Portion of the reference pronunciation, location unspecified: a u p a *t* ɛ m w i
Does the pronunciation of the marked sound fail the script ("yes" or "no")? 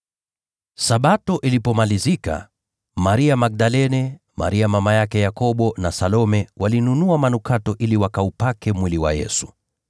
yes